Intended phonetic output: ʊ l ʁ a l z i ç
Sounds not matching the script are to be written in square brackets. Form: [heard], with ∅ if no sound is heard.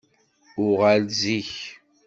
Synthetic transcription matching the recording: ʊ [∅] ʁ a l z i ç